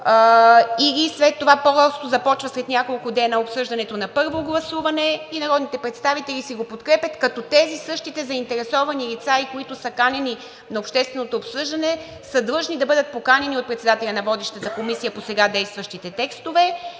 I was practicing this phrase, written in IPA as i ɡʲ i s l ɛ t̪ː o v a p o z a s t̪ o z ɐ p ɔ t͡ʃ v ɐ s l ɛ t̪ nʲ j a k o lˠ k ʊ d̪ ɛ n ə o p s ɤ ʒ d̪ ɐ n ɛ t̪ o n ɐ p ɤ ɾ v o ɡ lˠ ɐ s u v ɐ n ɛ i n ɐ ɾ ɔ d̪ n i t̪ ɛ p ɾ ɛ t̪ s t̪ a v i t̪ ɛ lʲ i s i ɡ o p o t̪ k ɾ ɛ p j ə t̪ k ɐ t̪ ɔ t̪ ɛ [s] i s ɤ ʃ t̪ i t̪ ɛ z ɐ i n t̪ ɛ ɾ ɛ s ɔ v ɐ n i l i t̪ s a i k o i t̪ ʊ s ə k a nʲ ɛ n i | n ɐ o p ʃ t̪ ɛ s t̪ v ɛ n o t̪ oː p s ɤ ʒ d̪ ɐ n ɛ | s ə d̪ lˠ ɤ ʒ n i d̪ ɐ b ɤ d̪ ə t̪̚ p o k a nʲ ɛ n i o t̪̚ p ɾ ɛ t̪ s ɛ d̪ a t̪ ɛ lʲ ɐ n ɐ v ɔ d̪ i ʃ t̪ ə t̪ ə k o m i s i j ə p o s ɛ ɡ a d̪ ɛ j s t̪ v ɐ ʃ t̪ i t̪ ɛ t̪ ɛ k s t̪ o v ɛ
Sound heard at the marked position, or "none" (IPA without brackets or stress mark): z